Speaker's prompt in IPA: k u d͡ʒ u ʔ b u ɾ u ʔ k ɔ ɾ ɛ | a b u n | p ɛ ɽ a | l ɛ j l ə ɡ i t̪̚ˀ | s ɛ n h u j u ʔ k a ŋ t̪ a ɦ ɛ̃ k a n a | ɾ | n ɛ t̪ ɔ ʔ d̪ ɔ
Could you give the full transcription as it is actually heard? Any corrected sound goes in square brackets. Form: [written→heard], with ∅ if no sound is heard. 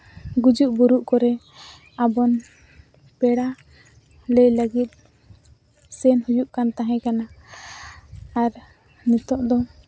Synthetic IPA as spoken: [k→ɡ] u d͡ʒ u ʔ b u ɾ u ʔ k ɔ ɾ ɛ | a b [u→ɔ] n | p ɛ ɽ a | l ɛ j l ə ɡ i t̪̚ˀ | s ɛ n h u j u ʔ k a [ŋ→n] t̪ a ɦ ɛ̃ k a n a | ɾ | n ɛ t̪ ɔ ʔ d̪ ɔ